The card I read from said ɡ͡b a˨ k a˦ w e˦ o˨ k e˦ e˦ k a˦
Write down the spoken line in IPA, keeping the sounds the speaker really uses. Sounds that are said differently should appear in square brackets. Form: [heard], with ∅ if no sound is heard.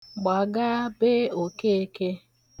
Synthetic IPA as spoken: ɡ͡b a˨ [ɡ] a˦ [b] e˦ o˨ k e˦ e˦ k [e˦]